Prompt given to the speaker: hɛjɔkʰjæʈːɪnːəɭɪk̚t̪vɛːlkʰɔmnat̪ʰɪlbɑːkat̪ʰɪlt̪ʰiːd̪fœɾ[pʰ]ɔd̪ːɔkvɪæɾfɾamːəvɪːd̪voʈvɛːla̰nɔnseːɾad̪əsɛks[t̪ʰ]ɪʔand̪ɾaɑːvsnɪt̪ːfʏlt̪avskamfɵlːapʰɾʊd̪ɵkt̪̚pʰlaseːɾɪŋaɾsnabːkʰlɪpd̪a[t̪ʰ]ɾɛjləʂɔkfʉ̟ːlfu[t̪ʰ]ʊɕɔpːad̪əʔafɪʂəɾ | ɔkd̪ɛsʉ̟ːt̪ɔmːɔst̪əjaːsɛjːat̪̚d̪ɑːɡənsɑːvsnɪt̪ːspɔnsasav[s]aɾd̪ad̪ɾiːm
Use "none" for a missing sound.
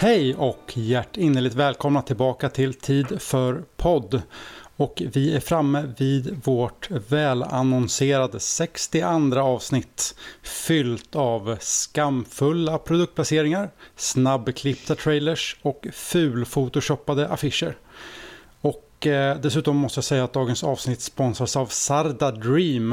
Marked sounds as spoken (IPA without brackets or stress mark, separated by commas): pʰ, t̪, t̪ʰ, t̪, s